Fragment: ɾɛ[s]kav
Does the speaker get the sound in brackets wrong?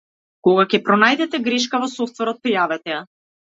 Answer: yes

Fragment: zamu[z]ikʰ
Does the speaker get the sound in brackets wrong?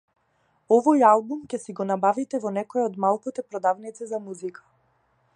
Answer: no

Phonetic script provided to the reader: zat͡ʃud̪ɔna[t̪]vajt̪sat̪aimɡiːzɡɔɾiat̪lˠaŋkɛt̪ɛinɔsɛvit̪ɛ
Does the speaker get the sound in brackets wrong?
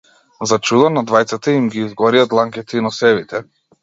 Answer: yes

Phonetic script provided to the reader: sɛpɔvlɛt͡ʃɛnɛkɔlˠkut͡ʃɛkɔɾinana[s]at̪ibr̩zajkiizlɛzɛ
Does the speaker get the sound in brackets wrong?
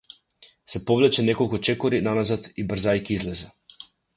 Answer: yes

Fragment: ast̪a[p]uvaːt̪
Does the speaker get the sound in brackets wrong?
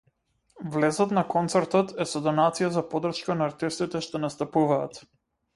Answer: no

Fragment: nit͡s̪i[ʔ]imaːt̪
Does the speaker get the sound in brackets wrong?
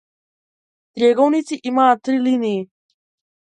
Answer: no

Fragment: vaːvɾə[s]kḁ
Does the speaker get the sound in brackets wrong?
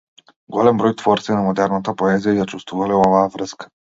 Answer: no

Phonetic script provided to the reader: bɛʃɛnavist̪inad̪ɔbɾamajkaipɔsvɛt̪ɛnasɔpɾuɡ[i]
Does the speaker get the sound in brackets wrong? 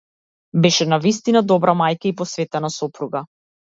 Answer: yes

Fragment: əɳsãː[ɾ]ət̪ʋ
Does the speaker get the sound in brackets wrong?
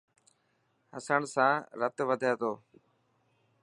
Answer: no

